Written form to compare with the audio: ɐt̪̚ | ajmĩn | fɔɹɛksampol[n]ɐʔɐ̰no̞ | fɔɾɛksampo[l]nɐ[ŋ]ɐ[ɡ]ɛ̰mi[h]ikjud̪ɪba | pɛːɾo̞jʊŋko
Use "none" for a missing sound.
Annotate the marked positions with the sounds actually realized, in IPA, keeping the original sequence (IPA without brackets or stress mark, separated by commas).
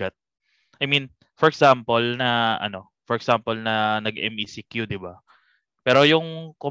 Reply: n, l, n, ɡ, s